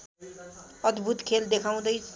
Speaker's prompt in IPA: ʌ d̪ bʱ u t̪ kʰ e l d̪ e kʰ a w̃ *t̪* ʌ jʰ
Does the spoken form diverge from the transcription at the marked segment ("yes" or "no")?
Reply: yes